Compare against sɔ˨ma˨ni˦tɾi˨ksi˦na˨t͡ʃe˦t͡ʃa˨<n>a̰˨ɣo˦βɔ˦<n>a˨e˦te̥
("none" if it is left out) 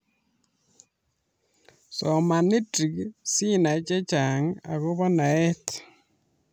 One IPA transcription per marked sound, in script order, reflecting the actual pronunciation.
ŋ, n

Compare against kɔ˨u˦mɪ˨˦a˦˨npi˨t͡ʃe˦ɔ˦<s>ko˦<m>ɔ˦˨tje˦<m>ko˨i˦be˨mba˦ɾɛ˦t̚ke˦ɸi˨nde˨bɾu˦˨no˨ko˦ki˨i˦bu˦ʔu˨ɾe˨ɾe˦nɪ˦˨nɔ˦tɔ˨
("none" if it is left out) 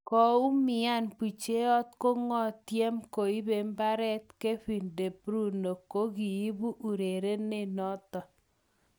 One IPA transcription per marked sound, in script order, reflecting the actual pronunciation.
t, ŋ, m

